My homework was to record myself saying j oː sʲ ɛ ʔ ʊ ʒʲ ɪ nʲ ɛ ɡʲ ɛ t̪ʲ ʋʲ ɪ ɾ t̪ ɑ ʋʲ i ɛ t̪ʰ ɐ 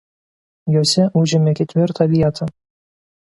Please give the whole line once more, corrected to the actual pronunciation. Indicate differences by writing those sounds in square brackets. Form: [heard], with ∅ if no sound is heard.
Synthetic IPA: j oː sʲ ɛ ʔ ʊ ʒʲ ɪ [mʲ] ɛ [kʲ] ɛ t̪ʲ ʋʲ ɪ ɾ t̪ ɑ ʋʲ i ɛ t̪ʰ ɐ